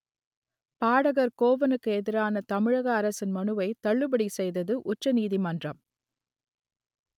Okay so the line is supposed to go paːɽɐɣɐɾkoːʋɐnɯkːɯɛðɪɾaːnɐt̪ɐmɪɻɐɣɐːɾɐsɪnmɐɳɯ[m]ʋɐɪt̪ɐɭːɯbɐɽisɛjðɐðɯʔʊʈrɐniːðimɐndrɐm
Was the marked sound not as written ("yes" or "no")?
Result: yes